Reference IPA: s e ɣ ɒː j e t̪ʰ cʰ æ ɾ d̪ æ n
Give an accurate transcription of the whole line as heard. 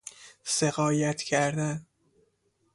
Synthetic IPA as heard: s e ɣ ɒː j æ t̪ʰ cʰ æ ɾ d̪ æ n